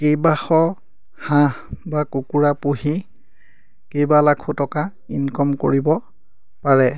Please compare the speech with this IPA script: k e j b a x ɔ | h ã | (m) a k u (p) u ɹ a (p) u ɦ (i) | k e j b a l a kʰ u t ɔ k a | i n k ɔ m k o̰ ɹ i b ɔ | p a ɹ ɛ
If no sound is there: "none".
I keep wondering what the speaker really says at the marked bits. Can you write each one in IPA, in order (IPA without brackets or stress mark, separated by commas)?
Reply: b, k, p, i